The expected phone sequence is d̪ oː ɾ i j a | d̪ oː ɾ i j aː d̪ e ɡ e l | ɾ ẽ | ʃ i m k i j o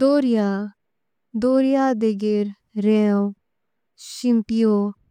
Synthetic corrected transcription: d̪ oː ɾ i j a | d̪ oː ɾ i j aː d̪ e ɡ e ɾ | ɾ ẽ | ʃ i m p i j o